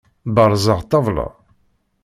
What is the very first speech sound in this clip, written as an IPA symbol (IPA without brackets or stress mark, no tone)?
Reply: b